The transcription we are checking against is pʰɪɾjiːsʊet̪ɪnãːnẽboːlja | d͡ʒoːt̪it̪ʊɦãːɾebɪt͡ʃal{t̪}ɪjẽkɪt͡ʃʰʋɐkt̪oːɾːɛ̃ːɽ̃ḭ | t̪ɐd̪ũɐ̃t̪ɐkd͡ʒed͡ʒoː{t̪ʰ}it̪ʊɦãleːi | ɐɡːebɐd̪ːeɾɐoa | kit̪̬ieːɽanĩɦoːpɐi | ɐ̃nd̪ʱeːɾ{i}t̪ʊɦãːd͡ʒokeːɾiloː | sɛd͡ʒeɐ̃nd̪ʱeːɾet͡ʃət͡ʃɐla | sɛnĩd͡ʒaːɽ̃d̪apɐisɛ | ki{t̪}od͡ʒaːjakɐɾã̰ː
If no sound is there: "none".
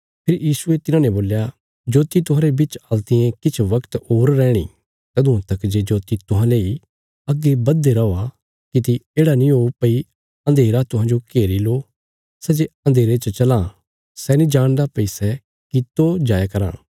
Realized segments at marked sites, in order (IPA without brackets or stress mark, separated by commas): t̪, t̪, a, t̪